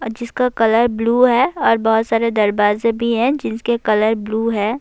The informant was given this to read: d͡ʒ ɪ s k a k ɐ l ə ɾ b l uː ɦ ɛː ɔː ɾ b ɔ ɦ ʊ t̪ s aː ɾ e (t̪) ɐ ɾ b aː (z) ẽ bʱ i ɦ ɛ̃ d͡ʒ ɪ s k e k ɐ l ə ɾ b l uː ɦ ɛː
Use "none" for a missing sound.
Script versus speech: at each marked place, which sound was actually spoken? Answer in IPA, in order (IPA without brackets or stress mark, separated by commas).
d̪, z